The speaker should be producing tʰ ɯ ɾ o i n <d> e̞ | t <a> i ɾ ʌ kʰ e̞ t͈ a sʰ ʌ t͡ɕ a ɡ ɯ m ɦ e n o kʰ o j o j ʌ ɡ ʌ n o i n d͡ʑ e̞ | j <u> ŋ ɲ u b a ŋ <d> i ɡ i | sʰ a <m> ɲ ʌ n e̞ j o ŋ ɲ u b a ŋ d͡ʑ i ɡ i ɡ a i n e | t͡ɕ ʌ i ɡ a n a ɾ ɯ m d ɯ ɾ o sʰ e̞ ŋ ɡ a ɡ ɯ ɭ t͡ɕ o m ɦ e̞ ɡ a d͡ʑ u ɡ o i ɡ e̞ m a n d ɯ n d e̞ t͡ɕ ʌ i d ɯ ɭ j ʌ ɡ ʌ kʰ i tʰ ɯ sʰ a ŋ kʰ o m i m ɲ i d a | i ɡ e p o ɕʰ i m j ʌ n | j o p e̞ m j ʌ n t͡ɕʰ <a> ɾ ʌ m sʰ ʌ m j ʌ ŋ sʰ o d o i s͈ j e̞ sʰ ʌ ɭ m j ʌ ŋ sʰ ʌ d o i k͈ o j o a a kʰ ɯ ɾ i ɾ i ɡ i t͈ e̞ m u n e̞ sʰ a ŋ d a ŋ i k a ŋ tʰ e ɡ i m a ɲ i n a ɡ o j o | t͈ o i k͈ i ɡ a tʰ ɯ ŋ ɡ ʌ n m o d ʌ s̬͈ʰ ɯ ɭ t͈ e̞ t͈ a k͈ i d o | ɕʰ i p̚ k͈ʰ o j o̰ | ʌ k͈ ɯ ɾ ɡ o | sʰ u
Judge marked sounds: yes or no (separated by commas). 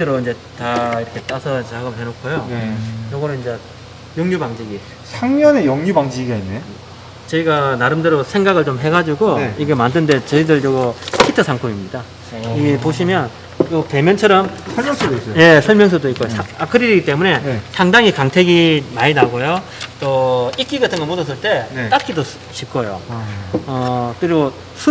no, yes, no, no, no, no